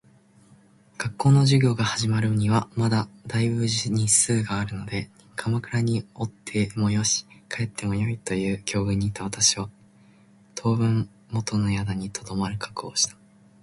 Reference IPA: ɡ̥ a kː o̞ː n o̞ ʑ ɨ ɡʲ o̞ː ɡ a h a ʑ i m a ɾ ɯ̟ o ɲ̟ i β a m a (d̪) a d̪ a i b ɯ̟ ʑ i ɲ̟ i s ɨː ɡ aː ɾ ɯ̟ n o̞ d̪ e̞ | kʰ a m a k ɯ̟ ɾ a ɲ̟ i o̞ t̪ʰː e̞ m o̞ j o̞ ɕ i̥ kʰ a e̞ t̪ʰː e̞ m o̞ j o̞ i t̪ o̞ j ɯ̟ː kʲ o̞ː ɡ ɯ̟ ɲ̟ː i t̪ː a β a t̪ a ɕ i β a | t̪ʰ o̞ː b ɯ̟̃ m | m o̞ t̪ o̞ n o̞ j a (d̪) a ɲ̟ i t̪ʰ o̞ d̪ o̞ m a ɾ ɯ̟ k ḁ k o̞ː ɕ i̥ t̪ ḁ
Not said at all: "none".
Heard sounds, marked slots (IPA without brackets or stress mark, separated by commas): d̪, d̪